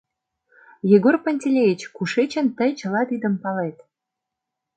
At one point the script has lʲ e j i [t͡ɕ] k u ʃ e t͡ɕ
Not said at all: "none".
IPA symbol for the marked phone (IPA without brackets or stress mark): t͡ɕ